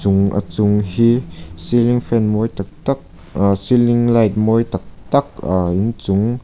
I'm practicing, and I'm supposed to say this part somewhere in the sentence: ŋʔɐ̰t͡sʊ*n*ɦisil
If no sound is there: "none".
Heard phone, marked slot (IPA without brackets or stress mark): ŋ